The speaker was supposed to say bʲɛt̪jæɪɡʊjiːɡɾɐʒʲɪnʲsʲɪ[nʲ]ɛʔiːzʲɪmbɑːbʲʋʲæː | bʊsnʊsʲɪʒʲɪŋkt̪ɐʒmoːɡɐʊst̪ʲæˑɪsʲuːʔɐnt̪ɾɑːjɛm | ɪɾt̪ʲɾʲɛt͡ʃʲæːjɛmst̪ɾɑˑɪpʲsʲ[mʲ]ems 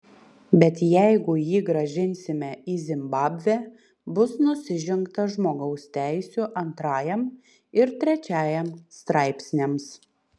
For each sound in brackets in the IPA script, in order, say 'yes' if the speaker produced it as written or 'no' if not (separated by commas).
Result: no, no